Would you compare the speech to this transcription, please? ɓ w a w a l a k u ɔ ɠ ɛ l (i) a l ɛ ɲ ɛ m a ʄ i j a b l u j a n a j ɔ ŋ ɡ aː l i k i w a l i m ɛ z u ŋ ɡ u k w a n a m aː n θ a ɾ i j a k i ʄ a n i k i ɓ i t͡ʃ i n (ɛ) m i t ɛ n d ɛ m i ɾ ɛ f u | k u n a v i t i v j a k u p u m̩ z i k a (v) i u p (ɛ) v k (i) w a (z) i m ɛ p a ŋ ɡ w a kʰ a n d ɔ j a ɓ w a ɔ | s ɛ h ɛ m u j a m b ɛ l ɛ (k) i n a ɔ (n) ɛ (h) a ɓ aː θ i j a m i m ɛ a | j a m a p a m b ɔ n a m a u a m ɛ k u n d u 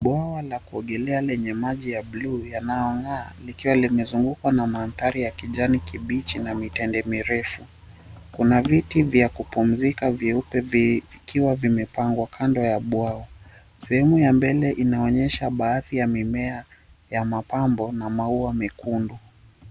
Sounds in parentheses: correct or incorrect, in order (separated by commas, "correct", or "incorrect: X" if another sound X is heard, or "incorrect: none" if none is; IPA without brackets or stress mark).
incorrect: ɛ, incorrect: a, correct, correct, correct, incorrect: v, incorrect: ʔ, incorrect: ɲ, incorrect: ʃ